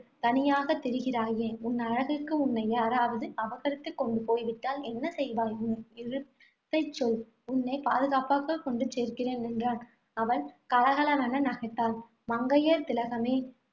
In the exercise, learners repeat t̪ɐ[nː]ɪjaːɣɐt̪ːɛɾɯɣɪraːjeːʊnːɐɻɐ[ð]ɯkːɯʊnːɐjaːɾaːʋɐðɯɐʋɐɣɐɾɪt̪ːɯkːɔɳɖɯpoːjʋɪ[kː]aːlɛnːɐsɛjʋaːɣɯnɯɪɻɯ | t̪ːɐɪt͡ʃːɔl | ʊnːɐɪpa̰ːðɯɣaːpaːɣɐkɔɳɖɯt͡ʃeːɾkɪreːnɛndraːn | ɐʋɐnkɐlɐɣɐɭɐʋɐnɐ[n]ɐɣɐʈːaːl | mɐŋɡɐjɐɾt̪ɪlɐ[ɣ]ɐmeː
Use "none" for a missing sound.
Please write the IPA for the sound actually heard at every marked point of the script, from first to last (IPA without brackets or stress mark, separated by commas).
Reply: n, ɣ, ʈː, n, ɣ